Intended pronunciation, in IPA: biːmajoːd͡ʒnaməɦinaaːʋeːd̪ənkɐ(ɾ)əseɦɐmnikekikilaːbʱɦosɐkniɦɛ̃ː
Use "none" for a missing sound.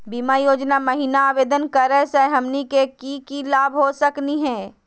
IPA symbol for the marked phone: ɾ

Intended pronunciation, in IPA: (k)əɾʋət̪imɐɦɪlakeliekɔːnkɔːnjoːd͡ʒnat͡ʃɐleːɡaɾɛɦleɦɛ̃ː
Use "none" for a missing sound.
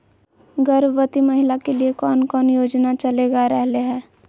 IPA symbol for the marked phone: ɡ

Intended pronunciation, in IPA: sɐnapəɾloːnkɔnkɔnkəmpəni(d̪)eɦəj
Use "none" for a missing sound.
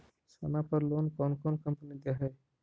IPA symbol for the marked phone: d̪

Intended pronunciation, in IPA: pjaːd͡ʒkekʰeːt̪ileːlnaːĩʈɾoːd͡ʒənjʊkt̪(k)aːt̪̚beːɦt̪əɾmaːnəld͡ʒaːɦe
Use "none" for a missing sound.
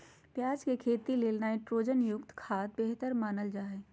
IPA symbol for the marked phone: kʰ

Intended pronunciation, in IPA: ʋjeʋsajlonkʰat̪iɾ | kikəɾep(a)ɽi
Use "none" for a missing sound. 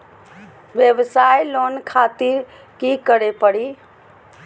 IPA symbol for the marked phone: ə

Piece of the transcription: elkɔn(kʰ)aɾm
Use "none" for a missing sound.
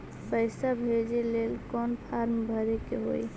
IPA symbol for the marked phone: pʰ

